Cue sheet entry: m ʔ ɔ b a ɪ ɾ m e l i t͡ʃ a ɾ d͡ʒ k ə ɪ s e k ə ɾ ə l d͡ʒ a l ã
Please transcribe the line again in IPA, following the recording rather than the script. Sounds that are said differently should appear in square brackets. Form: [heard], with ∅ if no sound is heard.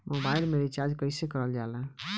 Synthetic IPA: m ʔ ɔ b a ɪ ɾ m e [ɾ] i t͡ʃ a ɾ d͡ʒ k ə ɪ s e k ə ɾ ə l d͡ʒ a l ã

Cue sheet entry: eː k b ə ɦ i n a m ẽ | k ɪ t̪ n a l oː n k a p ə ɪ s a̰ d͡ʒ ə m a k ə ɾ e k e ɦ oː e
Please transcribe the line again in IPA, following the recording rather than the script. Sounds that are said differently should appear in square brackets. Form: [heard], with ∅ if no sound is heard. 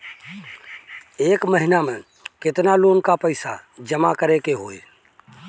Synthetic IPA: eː k [m] ə ɦ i n a m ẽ | k ɪ t̪ n a l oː n k a p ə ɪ s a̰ d͡ʒ ə m a k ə ɾ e k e ɦ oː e

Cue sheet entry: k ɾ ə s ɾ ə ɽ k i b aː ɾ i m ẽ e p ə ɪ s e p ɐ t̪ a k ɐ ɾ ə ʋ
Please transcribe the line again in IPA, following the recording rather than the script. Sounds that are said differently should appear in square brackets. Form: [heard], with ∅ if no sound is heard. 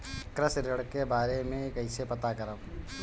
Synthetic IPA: k ɾ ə s ɾ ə ɽ k [e] b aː ɾ [e] m ẽ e [k] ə ɪ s e p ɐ t̪ a k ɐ ɾ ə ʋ

